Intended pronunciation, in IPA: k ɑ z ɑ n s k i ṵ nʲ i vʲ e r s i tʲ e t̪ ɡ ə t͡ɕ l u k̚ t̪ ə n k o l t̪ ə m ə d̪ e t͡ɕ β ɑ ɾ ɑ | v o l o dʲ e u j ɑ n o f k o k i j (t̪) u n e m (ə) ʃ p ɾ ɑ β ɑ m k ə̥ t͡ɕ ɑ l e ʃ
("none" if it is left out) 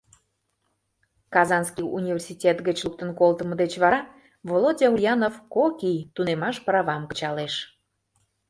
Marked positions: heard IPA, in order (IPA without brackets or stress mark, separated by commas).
t̪, ɑ